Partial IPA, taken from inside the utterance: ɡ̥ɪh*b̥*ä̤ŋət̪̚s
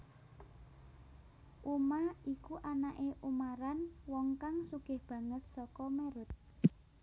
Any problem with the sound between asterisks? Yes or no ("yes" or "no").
no